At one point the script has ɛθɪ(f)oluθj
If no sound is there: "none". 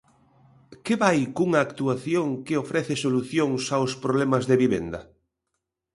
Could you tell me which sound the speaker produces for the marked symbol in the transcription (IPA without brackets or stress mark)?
s